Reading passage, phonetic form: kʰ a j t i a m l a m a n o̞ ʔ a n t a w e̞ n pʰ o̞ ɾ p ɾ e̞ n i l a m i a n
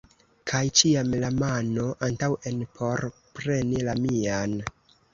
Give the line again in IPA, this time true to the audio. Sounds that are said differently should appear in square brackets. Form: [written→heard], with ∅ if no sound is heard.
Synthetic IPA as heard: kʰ a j [t→t͡ʃ] i a m l a m a n o̞ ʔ a n t a w e̞ n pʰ o̞ ɾ p ɾ e̞ n i l a m i a n